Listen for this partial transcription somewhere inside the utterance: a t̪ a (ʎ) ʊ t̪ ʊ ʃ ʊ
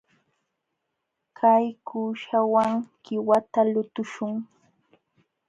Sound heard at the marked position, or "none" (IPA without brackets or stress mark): l